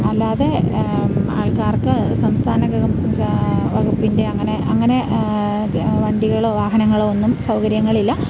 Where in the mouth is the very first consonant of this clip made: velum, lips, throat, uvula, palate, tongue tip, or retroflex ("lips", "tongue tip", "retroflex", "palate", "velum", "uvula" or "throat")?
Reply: tongue tip